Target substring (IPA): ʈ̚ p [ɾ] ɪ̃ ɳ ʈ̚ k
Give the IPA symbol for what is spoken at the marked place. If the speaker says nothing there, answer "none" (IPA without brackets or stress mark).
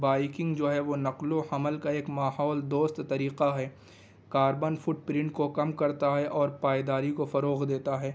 ɾ